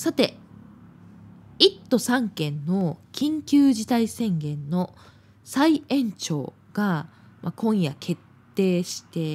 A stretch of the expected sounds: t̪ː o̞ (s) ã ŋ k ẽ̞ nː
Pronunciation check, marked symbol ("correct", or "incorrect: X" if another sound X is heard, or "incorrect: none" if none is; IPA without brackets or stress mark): correct